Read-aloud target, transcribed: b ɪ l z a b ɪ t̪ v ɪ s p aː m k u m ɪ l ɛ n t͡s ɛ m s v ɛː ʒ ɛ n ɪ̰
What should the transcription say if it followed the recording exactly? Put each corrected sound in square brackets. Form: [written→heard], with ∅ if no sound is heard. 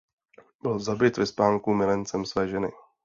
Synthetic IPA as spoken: b ɪ l z a b ɪ t̪ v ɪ s p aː [m→ŋ] k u m ɪ l ɛ n t͡s ɛ m s v ɛː ʒ ɛ n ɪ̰